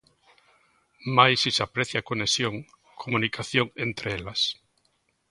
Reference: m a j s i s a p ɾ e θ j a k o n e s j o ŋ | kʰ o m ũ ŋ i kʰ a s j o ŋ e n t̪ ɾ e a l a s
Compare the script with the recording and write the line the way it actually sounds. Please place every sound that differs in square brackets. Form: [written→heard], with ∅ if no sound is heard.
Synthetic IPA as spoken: m a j s i s a p ɾ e θ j a k o n e s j o ŋ | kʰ o m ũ [ŋ→n] i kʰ a [s→θ] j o ŋ e n t̪ ɾ e [a→e] l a s